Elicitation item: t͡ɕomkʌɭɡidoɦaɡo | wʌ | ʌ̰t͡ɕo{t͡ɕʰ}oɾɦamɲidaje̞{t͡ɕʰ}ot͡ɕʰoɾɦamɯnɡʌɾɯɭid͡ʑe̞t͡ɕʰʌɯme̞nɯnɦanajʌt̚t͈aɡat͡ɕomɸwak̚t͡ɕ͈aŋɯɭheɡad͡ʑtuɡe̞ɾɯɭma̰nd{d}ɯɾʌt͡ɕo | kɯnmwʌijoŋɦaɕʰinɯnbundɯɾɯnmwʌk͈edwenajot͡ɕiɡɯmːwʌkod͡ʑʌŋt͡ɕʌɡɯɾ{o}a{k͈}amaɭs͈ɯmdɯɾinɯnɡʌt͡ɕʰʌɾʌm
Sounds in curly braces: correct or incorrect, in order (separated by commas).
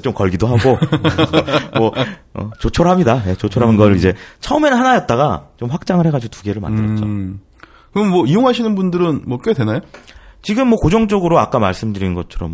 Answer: correct, incorrect, correct, correct, correct